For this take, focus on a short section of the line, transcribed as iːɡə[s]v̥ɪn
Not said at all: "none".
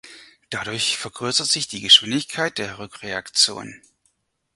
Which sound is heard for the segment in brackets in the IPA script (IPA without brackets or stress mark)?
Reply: ʃ